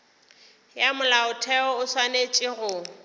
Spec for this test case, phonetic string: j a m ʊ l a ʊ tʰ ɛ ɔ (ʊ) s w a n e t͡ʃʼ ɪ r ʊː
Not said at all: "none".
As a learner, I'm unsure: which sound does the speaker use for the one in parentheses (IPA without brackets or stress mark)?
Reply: ʊ